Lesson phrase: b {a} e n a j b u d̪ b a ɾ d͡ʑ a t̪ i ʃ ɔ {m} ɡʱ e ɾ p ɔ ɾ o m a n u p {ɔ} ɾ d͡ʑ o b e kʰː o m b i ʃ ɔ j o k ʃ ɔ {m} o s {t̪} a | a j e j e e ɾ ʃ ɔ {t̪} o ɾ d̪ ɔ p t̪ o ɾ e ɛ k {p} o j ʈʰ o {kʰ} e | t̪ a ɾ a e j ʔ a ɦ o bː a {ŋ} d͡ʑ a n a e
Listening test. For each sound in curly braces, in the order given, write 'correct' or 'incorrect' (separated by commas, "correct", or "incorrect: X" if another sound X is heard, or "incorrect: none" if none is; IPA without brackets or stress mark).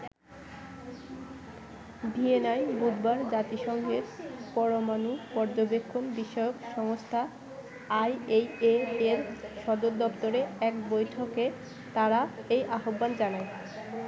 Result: incorrect: i, incorrect: ŋ, correct, incorrect: ŋ, incorrect: t̪ʰ, incorrect: d̪, incorrect: b, incorrect: k, incorrect: n